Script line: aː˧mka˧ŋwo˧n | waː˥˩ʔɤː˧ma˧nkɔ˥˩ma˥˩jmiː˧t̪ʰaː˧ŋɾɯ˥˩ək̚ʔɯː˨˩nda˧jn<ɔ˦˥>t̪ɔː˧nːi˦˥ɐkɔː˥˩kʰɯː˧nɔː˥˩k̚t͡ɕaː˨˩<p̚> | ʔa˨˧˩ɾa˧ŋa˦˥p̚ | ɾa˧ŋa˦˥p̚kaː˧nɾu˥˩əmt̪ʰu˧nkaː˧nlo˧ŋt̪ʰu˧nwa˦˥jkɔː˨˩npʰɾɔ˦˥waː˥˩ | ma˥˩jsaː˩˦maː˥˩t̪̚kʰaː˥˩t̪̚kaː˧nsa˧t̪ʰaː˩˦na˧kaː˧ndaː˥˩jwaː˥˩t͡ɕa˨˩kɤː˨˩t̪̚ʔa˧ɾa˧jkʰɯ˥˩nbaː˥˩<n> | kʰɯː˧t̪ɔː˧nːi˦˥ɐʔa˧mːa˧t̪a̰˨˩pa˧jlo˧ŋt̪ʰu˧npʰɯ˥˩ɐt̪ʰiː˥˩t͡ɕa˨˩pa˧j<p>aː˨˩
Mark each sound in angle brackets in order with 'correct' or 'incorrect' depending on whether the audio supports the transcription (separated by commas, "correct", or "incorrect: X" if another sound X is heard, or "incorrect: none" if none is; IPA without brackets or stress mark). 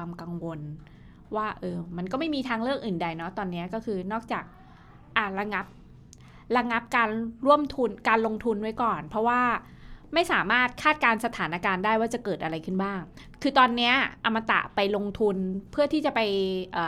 correct, incorrect: k̚, incorrect: ŋ, incorrect: ʔ